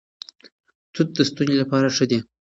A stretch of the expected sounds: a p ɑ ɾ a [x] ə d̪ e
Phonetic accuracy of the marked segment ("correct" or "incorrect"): incorrect